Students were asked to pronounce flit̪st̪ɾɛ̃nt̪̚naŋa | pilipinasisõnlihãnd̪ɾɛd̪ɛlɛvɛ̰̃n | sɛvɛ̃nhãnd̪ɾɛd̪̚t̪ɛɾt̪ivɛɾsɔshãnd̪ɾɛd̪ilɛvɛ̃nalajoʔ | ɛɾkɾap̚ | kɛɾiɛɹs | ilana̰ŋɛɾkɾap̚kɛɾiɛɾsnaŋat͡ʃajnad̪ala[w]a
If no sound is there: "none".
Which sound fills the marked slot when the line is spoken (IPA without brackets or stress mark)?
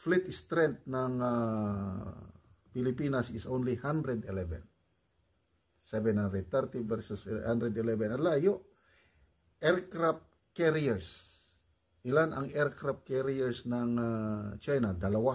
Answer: w